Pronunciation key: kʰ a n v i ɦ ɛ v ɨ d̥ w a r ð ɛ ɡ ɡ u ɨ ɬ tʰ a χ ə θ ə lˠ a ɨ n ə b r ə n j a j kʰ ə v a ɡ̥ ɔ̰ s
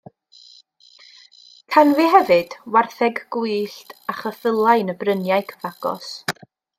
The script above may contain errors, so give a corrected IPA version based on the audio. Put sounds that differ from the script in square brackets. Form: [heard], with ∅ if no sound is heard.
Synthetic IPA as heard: kʰ a n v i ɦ ɛ v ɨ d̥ w a r [θ] ɛ ɡ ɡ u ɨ ɬ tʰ a χ ə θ ə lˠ a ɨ n ə b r ə n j a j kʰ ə v a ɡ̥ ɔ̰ s